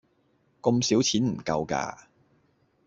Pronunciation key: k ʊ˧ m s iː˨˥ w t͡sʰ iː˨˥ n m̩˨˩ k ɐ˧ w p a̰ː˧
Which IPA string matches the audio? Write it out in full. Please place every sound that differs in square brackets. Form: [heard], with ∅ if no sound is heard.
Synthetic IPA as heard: k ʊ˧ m s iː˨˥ w t͡sʰ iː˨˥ n m̩˨˩ k ɐ˧ w [k] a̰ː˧